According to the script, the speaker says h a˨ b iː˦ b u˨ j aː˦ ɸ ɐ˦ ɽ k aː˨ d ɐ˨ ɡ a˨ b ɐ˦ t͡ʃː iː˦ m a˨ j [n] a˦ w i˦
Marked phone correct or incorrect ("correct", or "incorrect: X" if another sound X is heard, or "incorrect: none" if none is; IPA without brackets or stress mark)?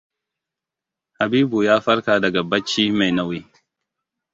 correct